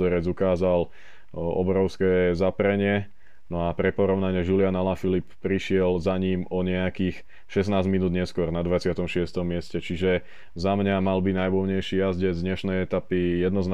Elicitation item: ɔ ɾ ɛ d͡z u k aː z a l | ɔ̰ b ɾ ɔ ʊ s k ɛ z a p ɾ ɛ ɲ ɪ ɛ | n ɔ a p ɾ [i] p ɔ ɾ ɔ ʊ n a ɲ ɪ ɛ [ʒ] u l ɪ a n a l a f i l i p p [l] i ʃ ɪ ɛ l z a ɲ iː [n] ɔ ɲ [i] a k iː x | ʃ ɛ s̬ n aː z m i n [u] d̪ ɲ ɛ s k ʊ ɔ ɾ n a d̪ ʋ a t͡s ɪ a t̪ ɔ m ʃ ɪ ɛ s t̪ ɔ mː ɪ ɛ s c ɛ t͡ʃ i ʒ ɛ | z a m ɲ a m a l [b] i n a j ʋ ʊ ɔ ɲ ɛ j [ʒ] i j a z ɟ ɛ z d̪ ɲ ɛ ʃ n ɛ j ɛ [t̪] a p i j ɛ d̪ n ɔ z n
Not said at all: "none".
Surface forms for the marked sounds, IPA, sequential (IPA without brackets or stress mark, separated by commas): ɛ, ʒ, ɾ, m, ɛ, uː, b, ʃ, t̪